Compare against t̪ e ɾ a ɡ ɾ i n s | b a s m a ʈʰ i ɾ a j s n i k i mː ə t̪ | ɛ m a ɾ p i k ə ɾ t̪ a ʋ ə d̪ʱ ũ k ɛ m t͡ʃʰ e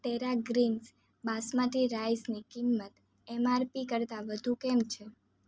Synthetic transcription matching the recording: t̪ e ɾ a ɡ ɾ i n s | b a s m a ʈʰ i ɾ a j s n i k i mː ə t̪ | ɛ m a ɾ p i k ə ɾ t̪ a ʋ ə d̪ʱ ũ k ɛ m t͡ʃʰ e